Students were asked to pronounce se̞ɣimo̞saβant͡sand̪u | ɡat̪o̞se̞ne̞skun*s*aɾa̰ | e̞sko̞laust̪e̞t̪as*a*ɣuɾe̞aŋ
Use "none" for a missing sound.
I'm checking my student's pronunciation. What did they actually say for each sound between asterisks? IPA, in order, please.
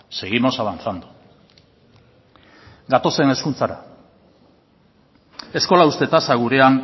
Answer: t͡s, a

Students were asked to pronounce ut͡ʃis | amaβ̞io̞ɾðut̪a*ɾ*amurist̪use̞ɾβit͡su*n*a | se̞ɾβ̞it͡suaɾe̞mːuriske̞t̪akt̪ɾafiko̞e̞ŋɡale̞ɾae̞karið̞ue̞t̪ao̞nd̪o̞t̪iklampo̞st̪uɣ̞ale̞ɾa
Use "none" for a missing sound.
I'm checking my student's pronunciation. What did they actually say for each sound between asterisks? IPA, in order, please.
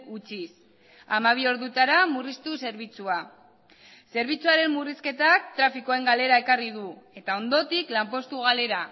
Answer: ɾ, none

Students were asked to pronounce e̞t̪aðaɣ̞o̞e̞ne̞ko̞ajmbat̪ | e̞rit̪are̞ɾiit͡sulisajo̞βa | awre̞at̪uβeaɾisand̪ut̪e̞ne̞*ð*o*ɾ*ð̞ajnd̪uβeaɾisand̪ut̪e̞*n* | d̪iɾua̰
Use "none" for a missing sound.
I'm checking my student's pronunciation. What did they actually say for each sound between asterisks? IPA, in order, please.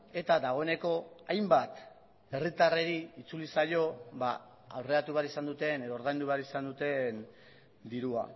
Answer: ð, ɾ, n

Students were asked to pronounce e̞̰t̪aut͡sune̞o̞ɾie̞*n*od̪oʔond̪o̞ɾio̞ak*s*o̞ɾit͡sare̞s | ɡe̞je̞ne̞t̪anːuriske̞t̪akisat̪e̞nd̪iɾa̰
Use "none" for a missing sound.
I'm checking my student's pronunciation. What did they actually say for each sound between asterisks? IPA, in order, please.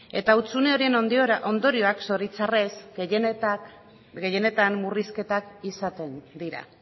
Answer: n, s

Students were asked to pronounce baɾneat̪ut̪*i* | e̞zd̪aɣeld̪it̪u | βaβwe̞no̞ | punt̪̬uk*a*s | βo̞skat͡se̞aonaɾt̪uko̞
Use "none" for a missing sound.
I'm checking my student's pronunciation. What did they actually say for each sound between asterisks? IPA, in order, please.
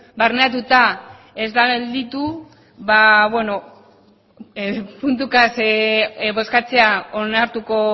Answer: a, a

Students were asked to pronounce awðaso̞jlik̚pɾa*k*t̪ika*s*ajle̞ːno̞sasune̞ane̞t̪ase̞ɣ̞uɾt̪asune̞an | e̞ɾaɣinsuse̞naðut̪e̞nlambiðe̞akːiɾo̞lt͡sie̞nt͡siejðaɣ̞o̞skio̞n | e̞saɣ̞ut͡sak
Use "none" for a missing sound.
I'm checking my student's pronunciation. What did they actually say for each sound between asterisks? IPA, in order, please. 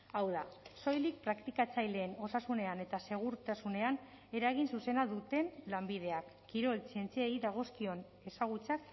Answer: k, t͡s

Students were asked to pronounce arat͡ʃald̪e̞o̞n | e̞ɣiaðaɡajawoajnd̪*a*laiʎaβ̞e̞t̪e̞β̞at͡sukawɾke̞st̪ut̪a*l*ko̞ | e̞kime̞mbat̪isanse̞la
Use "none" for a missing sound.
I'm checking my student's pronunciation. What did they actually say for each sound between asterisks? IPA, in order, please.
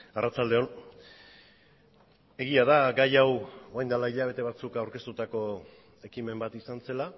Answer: a, none

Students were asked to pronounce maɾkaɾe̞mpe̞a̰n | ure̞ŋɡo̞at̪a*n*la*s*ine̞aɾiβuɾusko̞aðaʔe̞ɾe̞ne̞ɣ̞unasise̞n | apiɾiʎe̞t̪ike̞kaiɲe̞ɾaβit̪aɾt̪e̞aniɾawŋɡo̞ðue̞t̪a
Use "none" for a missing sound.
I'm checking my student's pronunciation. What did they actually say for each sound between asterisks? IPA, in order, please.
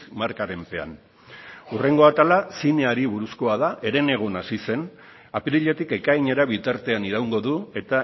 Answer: none, s

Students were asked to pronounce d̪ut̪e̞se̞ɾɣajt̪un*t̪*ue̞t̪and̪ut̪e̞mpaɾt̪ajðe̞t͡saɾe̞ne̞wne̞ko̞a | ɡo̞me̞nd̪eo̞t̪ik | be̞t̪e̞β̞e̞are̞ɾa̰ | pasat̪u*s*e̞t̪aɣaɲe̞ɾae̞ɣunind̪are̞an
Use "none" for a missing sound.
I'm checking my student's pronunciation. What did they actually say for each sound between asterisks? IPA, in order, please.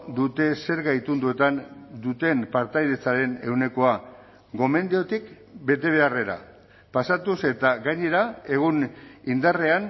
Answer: d̪, s

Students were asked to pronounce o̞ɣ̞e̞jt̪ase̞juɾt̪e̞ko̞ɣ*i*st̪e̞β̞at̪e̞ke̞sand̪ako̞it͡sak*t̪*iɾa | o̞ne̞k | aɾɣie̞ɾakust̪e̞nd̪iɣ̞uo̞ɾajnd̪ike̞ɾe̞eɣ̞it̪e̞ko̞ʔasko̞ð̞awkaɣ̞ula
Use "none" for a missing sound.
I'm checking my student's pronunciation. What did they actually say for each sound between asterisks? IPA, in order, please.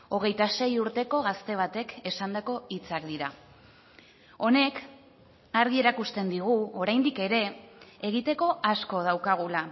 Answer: a, d̪

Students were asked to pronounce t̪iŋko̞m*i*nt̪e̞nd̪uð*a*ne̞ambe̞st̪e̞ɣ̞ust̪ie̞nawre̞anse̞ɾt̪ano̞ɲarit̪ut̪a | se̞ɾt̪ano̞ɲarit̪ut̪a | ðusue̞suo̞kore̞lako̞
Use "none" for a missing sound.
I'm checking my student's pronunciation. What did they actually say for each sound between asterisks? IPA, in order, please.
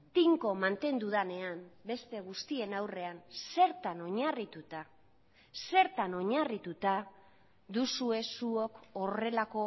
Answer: a, a

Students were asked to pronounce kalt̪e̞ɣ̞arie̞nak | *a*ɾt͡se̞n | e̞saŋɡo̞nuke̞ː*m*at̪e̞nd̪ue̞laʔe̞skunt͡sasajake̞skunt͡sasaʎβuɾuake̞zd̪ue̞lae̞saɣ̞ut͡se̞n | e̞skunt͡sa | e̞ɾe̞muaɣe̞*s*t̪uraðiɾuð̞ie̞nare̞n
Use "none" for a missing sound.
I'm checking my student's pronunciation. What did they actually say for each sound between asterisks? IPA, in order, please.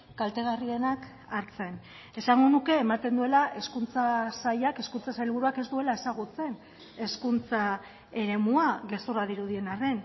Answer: a, m, s

